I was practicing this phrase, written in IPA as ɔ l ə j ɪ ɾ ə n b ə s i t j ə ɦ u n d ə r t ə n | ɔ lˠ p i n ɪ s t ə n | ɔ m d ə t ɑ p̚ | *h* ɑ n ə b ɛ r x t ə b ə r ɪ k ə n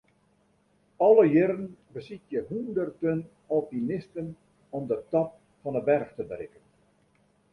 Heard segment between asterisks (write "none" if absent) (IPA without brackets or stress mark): f